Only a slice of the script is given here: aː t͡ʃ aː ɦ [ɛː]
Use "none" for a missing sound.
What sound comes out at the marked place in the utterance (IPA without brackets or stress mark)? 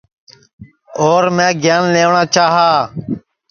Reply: aː